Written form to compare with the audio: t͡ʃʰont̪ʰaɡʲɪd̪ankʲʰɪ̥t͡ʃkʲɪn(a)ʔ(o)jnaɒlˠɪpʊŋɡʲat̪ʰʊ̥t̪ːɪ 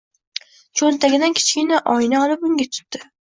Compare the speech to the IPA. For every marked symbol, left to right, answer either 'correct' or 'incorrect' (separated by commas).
correct, incorrect